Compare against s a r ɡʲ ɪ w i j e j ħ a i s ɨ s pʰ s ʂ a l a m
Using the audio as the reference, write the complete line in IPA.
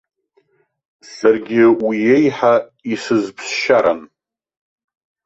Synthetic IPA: s a r ɡʲ ɪ w i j e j ħ a i s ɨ z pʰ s ʃ a ɾ a n